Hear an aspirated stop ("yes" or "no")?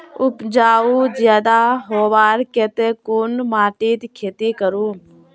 yes